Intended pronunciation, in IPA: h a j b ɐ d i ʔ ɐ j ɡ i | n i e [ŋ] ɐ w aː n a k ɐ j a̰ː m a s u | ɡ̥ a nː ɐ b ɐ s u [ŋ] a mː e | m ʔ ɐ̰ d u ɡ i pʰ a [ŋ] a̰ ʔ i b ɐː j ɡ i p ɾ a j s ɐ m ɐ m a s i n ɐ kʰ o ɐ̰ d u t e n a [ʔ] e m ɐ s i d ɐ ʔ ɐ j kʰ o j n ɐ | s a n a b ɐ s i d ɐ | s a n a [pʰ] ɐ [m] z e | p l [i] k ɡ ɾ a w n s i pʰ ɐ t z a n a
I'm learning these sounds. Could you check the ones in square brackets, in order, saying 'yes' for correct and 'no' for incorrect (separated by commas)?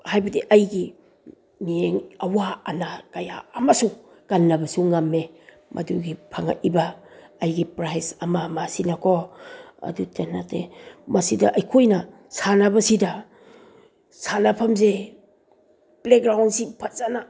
yes, yes, yes, no, yes, yes, no